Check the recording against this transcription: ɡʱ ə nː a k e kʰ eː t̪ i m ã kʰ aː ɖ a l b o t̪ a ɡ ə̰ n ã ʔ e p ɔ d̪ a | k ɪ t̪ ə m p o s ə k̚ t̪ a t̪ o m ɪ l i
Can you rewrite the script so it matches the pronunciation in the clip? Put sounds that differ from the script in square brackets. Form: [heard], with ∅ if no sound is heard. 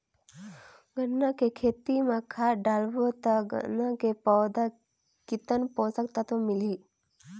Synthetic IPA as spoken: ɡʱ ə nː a k e kʰ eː t̪ i m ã kʰ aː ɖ a l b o t̪ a ɡ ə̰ n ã [k] e p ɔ d̪ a | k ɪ t̪ ə [n] p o s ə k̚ t̪ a t̪ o m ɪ l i

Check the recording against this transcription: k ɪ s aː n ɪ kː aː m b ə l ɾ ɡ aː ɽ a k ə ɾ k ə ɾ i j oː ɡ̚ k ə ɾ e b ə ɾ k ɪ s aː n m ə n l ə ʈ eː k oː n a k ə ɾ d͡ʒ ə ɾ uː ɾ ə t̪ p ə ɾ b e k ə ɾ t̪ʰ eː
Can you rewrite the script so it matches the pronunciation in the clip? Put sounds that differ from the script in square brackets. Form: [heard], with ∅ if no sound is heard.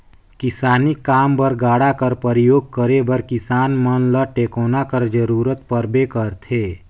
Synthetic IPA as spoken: k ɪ s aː n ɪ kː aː m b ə [∅] ɾ ɡ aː ɽ a k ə ɾ [p] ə ɾ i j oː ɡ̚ k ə ɾ e b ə ɾ k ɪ s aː n m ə n l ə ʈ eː k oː n a k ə ɾ d͡ʒ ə ɾ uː ɾ ə t̪ p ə ɾ b e k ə ɾ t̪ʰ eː

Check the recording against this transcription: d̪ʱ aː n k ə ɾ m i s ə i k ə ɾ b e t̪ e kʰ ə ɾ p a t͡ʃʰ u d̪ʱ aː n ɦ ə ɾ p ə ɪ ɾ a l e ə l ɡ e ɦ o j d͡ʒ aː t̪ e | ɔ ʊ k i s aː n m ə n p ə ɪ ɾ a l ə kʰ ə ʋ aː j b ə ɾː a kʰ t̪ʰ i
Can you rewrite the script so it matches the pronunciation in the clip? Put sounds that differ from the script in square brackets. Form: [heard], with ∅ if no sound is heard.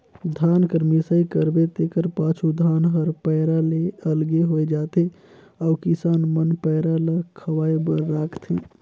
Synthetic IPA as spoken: d̪ʱ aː n k ə ɾ m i s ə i k ə ɾ b e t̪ e [k] ə ɾ p a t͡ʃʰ u d̪ʱ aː n ɦ ə ɾ p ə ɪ ɾ a l e ə l ɡ e ɦ o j d͡ʒ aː t̪ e | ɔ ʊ k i s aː n m ə n p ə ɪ ɾ a l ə kʰ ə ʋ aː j b ə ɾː a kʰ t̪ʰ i

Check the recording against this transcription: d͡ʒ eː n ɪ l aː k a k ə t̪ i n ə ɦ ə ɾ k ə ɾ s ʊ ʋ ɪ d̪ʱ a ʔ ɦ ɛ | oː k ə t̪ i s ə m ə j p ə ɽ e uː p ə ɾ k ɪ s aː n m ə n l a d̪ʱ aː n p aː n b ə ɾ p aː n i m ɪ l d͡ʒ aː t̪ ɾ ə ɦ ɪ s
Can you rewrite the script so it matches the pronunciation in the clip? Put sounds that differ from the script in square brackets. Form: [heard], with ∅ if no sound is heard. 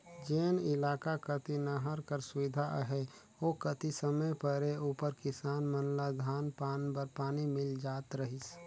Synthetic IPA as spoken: d͡ʒ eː n ɪ l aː k a k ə t̪ i n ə ɦ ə ɾ k ə ɾ s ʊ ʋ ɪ d̪ʱ a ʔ ɦ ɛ | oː k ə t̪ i s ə m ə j p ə [ɾ] e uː p ə ɾ k ɪ s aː n m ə n l a d̪ʱ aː n p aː n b ə ɾ p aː n i m ɪ l d͡ʒ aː t̪ ɾ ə ɦ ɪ s

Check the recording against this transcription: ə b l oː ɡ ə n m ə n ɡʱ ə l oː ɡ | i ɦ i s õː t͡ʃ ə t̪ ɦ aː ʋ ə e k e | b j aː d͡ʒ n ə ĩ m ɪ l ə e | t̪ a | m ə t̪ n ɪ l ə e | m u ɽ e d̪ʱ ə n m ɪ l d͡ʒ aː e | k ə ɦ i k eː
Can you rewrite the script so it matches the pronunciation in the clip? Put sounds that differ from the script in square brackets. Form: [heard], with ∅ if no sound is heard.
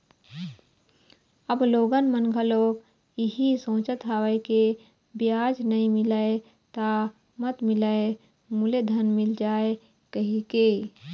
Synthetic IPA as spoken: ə b l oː ɡ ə n m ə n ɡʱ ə l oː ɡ | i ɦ i s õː t͡ʃ ə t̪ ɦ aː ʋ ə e k e | b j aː d͡ʒ n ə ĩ m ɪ l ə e | t̪ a | m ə t̪ [m] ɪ l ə e | m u [l] e d̪ʱ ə n m ɪ l d͡ʒ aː e | k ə ɦ i k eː

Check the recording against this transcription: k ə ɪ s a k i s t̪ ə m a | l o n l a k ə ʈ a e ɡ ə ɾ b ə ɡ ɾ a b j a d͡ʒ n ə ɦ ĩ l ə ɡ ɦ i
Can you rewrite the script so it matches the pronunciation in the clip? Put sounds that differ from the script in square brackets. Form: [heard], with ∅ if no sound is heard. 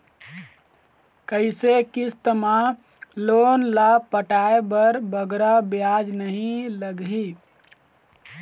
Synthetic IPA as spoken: k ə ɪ s [e] k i s t̪ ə m a | l o n l a [p] ə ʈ a e [b] ə ɾ b ə ɡ ɾ a b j a d͡ʒ n ə ɦ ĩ l ə ɡ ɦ i

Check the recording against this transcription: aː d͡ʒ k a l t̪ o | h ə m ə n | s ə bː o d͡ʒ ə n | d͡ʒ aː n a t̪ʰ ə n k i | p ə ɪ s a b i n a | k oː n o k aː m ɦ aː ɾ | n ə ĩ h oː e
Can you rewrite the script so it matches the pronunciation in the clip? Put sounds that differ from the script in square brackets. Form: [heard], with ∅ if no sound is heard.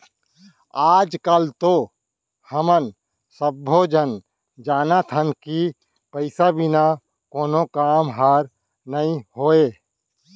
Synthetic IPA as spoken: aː d͡ʒ k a l t̪ o | h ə m ə n | s ə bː o d͡ʒ ə n | d͡ʒ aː n a t̪ʰ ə n k i | p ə ɪ s a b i n a | k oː n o k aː m ɦ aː ɾ | n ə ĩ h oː e

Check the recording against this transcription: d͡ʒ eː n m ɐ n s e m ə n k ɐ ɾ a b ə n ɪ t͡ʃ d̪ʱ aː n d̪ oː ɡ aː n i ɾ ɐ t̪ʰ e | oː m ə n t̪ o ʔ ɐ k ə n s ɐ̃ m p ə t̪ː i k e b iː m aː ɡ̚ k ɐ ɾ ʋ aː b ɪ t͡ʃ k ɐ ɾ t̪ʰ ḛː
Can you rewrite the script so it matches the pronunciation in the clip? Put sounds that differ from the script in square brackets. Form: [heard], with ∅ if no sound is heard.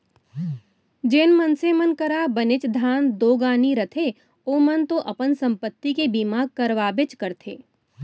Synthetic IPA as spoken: d͡ʒ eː n m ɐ n s e m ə n k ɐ ɾ a b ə n ɪ t͡ʃ d̪ʱ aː n d̪ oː ɡ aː n i ɾ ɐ t̪ʰ e | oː m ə n t̪ o ʔ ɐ [p] ə n s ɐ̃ m p ə t̪ː i k e b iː m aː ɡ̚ k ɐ ɾ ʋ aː b ɪ t͡ʃ k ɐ ɾ t̪ʰ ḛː

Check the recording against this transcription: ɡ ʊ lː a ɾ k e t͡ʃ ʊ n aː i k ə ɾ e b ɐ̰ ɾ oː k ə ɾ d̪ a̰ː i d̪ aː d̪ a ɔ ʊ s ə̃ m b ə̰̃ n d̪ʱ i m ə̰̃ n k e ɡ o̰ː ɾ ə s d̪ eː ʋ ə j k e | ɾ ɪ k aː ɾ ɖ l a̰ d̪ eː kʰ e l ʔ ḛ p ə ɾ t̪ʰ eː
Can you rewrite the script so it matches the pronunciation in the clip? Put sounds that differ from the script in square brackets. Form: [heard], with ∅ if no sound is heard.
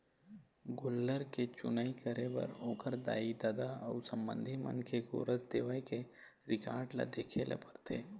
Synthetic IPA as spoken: ɡ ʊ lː [ə] ɾ k e t͡ʃ ʊ n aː i k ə ɾ e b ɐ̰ ɾ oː k ə ɾ d̪ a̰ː i d̪ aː d̪ a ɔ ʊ s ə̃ m b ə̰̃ n d̪ʱ i m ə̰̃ n k e ɡ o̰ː ɾ ə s d̪ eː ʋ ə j k e | ɾ ɪ k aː ɾ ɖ l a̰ d̪ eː kʰ e l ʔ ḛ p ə ɾ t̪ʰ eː

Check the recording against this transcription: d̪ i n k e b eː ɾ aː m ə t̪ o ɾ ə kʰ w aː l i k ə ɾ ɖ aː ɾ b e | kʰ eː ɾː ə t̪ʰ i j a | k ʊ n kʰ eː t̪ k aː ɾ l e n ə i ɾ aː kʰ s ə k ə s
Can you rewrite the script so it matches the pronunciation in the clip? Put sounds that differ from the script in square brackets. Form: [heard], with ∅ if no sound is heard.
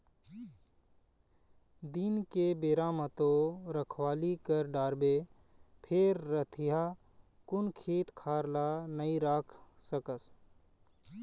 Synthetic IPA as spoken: d̪ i n k e b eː ɾ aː m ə t̪ o ɾ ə kʰ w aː l i k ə ɾ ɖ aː ɾ b e | [pʰ] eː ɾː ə t̪ʰ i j a | k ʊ n kʰ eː t̪ [kʰ] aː ɾ l [a] n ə i ɾ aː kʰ s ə k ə s

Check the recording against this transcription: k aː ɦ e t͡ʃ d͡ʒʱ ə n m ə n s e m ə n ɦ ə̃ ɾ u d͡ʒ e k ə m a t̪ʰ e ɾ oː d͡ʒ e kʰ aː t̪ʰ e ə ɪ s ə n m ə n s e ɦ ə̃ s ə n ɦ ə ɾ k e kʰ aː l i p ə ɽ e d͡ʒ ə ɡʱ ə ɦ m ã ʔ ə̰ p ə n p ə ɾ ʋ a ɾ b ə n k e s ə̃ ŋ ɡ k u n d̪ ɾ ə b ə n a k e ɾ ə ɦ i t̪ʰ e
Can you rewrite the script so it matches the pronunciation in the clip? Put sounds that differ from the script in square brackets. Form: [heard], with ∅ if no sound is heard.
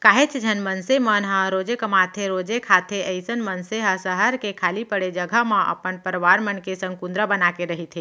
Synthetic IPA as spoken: k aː ɦ e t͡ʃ d͡ʒʱ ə n m ə n s e m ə n ɦ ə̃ ɾ [o] d͡ʒ e k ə m a t̪ʰ e ɾ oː d͡ʒ e kʰ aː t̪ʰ e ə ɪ s ə n m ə n s e ɦ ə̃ s ə [∅] ɦ ə ɾ k e kʰ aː l i p ə ɽ e d͡ʒ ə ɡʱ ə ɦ m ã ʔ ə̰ p ə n p ə ɾ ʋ a ɾ [m] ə n k e s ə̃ ŋ ɡ k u n d̪ ɾ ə b ə n a k e ɾ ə ɦ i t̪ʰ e

